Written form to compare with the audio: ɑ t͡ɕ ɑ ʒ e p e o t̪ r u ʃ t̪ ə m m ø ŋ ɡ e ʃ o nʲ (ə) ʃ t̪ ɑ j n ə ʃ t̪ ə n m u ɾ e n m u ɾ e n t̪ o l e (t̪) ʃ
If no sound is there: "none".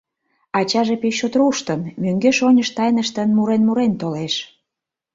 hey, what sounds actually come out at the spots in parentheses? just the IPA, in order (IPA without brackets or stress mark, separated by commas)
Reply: ə, none